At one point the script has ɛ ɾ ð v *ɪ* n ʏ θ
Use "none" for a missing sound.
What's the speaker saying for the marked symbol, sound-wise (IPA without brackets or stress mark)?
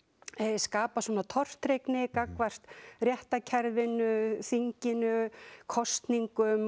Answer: ɪ